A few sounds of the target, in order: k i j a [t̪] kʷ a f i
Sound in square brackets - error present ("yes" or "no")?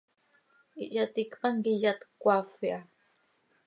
no